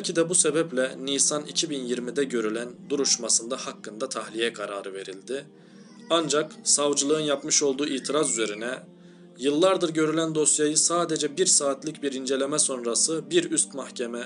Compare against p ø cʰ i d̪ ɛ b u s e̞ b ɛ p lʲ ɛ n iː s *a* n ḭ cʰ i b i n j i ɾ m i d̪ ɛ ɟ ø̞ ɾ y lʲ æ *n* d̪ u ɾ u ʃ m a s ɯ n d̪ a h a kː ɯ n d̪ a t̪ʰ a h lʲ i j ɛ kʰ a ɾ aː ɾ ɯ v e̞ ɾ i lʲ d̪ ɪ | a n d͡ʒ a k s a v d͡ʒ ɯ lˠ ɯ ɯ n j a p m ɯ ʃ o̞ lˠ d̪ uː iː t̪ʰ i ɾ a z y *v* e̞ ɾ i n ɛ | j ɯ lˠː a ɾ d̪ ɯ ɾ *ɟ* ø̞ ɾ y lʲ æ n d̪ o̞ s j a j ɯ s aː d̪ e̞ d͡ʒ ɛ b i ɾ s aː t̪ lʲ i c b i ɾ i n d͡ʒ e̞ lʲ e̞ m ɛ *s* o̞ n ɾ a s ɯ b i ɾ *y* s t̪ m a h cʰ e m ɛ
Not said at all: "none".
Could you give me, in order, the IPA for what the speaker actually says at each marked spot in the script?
a, n, z, ɟ, s, y

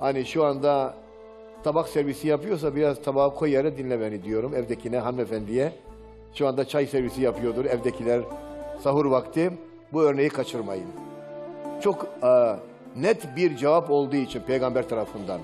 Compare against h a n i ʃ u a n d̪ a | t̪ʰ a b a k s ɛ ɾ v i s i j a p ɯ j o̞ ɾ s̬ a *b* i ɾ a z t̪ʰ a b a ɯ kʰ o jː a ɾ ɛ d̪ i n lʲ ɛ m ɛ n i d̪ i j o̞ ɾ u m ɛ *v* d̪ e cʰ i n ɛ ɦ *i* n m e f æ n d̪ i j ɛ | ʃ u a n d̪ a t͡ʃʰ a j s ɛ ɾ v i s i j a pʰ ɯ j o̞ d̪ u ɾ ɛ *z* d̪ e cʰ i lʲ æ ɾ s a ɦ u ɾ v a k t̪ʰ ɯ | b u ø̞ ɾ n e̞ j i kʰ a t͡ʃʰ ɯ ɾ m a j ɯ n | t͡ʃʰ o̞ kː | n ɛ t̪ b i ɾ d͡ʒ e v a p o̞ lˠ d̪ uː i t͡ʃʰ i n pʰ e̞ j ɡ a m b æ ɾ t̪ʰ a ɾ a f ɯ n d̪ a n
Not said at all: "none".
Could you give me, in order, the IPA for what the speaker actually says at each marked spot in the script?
b, v, a, v

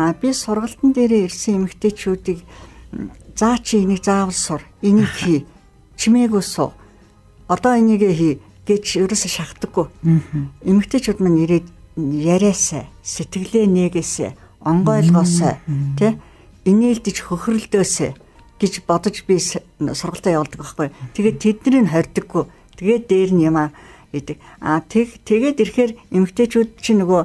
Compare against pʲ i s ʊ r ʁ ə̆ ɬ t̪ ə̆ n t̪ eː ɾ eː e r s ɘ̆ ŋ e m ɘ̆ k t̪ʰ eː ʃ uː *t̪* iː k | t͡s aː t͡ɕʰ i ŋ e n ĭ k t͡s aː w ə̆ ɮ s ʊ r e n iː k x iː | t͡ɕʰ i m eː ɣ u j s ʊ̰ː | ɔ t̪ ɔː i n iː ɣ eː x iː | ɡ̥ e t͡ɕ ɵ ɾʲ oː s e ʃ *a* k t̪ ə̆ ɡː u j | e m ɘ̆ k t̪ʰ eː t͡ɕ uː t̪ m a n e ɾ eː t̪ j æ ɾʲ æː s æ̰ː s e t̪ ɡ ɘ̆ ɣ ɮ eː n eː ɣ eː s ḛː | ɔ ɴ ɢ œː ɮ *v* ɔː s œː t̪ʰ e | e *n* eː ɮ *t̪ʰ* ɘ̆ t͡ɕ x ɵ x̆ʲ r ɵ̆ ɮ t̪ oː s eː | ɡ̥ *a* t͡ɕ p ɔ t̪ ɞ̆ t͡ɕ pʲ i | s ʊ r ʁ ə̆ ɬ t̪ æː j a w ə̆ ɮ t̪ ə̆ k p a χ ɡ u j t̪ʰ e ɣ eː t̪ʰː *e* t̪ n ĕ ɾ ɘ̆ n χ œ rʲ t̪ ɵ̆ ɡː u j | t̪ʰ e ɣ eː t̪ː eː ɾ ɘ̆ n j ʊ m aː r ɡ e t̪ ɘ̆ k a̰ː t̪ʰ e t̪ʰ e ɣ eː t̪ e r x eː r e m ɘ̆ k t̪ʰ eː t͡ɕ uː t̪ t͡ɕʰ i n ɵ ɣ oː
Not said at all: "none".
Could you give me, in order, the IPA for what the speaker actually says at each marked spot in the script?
t̪, a, ʁ, n, t̪, e, e

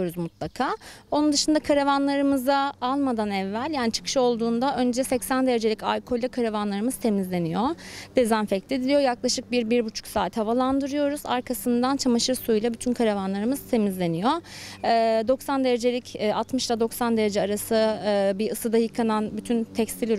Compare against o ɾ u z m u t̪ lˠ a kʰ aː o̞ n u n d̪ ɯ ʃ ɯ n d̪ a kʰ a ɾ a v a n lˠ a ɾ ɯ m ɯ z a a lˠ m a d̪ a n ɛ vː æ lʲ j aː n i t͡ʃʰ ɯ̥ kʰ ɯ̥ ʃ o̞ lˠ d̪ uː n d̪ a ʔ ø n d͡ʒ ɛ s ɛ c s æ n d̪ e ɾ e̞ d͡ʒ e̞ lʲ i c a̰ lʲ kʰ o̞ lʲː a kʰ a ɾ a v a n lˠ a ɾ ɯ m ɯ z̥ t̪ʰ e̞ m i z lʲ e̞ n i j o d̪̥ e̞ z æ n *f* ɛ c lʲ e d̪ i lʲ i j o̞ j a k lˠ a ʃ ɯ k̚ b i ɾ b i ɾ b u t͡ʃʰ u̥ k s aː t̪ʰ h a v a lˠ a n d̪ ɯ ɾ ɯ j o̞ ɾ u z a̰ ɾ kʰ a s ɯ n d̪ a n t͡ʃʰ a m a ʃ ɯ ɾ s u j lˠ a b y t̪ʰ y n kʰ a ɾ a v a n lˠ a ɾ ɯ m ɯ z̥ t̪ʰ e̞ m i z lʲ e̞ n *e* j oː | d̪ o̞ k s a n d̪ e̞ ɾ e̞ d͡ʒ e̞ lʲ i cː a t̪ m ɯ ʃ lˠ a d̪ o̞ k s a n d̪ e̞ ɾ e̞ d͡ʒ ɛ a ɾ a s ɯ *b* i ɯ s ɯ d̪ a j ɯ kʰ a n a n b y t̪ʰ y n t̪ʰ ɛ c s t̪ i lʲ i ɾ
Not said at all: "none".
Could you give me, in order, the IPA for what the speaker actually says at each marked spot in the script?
f, i, b

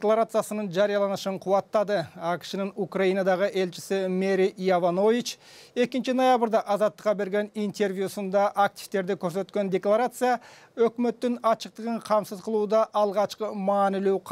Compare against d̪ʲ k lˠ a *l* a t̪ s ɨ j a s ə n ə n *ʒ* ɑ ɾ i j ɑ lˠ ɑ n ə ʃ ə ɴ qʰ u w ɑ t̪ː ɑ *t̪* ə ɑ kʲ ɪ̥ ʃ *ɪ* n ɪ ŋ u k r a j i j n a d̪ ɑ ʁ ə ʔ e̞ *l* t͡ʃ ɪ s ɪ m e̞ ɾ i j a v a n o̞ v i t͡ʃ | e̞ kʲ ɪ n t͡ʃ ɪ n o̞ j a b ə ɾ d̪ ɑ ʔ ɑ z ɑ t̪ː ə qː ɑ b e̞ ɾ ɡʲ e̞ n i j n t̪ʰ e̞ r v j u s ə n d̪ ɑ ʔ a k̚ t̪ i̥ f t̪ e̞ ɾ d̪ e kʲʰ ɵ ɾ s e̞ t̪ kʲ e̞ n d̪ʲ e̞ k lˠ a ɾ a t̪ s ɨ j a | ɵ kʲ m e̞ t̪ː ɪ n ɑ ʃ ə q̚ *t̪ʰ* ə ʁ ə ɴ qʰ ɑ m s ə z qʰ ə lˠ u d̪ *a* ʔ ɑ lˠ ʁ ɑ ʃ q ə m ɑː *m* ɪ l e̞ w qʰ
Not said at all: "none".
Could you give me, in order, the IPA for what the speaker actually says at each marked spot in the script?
ɾ, ʒ, d̪, ɪ, l, t̪, ɑ, n

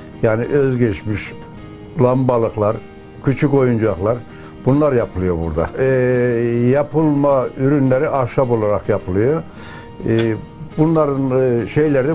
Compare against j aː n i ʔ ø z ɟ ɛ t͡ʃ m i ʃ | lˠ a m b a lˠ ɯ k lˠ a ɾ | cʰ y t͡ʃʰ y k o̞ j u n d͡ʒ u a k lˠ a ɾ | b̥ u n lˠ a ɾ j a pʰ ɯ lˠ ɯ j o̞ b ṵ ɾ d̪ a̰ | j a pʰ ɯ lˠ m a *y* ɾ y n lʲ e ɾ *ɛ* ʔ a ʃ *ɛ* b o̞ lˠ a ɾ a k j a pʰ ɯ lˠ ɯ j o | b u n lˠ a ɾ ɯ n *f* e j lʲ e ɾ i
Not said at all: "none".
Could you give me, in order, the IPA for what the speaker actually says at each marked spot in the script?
y, i, a, ʃ

